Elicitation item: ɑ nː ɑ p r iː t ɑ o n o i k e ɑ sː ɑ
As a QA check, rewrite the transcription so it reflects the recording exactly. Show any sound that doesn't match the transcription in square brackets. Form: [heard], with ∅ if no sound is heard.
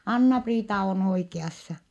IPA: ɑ nː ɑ p r iː t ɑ o n o i k e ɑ sː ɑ